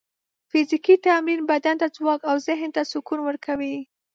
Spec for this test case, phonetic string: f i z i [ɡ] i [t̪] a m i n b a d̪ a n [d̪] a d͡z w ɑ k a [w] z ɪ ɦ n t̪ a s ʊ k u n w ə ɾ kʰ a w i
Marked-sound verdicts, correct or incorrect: incorrect, correct, incorrect, correct

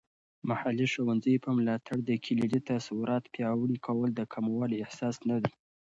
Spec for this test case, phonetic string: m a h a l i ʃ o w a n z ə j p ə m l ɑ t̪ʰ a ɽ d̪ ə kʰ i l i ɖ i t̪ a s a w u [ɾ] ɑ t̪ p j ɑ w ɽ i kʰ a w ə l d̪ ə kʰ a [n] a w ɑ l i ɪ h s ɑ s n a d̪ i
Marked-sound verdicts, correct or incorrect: correct, incorrect

